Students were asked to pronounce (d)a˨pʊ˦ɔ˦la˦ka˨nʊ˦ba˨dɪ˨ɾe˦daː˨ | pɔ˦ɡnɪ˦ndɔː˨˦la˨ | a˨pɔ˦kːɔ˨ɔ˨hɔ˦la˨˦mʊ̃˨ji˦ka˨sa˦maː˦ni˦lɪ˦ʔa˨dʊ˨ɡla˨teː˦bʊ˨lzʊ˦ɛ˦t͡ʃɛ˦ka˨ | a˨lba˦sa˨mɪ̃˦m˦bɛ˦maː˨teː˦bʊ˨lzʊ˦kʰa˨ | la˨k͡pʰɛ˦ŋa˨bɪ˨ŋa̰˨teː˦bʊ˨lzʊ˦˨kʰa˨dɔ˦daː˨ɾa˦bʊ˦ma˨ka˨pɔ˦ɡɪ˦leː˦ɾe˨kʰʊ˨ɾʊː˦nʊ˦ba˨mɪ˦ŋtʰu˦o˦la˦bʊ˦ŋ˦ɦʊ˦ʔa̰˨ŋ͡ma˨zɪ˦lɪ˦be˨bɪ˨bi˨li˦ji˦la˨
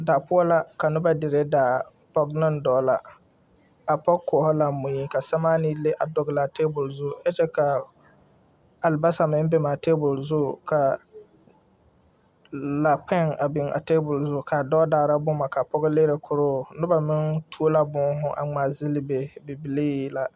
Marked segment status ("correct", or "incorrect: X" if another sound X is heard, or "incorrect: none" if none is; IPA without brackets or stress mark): correct